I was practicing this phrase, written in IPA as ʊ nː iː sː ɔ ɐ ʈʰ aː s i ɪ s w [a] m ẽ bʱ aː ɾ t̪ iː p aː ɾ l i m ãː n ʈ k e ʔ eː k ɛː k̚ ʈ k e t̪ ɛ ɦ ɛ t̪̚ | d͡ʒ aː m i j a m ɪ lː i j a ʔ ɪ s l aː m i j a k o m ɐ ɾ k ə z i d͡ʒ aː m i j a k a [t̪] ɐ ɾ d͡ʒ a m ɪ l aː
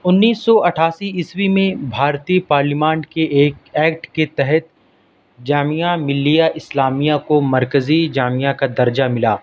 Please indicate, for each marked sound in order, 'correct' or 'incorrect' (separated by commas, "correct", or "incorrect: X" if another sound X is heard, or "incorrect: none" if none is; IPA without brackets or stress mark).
incorrect: i, incorrect: d̪